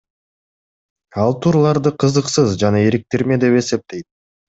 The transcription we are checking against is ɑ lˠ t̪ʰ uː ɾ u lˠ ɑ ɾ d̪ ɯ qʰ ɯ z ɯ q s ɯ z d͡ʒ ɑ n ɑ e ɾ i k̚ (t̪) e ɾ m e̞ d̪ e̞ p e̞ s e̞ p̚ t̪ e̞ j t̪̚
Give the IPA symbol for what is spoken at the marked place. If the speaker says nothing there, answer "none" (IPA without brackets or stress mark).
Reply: t̪